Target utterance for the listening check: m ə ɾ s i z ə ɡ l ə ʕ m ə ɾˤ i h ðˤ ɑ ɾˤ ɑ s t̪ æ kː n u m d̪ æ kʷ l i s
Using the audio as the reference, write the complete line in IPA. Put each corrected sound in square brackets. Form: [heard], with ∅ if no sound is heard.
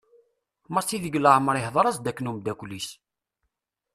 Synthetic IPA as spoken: m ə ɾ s i [ð] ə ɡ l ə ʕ m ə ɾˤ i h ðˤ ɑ ɾˤ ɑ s [d̪] æ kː n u m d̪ æ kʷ l i s